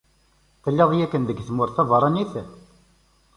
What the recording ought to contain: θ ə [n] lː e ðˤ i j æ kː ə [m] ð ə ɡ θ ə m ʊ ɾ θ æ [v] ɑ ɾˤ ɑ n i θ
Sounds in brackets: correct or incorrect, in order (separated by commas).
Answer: incorrect, incorrect, correct